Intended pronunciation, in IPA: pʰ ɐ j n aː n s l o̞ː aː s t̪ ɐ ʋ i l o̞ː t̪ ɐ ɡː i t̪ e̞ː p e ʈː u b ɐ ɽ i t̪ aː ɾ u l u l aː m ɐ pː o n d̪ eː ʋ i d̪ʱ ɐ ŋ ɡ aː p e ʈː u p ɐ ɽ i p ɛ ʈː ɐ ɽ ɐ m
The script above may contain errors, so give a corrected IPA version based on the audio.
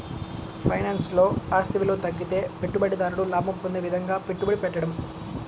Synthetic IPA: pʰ ɐ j n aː n s l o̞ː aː s t̪ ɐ ʋ i l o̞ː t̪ ɐ ɡː i t̪ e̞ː p e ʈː u b ɐ ɽ i d̪ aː ɾ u ɽ u l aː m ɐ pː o n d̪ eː ʋ i d̪ʱ ɐ ŋ ɡ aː p e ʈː u b ɐ ɽ i p ɛ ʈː ɐ ɽ ɐ m